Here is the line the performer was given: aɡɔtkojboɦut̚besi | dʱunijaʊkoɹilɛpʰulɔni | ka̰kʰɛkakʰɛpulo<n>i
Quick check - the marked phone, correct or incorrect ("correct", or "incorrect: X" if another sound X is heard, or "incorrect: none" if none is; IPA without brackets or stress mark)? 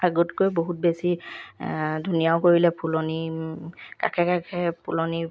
correct